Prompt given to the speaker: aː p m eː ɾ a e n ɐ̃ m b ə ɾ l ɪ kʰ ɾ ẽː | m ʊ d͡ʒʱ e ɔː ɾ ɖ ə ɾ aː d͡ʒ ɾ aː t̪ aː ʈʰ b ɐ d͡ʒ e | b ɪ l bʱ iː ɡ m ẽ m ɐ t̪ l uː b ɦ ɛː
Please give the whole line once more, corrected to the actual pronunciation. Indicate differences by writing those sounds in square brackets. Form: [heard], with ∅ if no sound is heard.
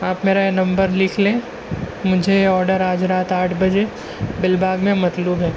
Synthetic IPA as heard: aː p m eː ɾ a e n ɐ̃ m b ə ɾ l ɪ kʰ [l] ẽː | m ʊ d͡ʒʱ e ɔː ɾ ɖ ə ɾ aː d͡ʒ ɾ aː t̪ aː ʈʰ b ɐ d͡ʒ e | b ɪ l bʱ [aː] ɡ m ẽ m ɐ t̪ l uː b ɦ ɛː